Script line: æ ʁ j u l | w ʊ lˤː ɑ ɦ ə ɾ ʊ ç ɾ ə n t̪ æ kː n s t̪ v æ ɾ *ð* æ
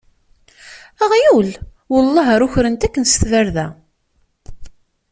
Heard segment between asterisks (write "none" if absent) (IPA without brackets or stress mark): ð